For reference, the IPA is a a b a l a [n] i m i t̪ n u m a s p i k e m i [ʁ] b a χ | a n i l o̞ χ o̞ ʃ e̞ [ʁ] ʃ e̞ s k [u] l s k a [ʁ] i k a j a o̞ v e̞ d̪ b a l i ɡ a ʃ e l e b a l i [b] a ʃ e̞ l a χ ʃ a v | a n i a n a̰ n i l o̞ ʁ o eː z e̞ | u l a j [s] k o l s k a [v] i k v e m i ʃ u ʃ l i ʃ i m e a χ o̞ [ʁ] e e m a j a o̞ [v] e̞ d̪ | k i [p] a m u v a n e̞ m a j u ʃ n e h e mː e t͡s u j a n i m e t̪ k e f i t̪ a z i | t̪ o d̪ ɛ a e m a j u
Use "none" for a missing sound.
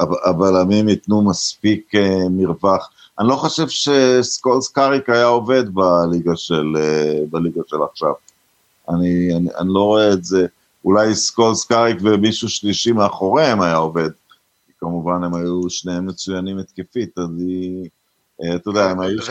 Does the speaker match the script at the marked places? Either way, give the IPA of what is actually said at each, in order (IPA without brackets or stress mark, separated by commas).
m, ʁ, v, o, ʁ, ɡ, s, ʁ, ʁ, v, k